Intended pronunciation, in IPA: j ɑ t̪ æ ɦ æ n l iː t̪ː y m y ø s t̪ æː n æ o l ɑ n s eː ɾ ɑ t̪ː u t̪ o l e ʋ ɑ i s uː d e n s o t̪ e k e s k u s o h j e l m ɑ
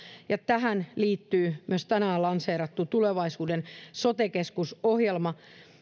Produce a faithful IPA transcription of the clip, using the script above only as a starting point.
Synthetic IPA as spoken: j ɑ t̪ æ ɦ æ n l iː t̪ː yː m y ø s t̪ æ n æ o l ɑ n s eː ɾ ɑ t̪ː u t̪ u l e ʋ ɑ i s uː d e n s o t̪ e k e s k u s o h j e l m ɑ